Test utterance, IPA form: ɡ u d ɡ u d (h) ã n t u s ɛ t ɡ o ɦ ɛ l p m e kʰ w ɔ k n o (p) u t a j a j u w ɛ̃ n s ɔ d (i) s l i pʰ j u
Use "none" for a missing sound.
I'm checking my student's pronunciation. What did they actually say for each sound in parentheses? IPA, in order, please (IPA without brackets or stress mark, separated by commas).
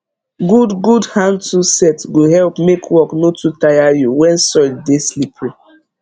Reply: h, t, e